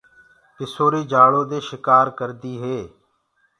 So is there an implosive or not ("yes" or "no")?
no